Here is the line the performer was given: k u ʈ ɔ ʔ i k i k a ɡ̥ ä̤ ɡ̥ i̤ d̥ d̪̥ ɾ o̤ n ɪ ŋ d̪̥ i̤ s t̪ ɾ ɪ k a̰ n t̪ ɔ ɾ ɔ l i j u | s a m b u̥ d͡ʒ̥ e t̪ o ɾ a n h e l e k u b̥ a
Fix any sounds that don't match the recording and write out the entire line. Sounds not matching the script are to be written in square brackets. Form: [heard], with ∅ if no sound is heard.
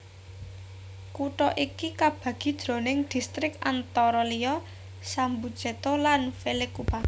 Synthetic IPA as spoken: k u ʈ ɔ ʔ i k i k a [b̥] ä̤ ɡ̥ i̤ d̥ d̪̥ ɾ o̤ n ɪ ŋ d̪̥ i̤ s t̪ ɾ ɪ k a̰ n t̪ ɔ ɾ ɔ l i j [ɔ] | s a m b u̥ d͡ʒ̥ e t̪ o [l] a n [f] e l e k u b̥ a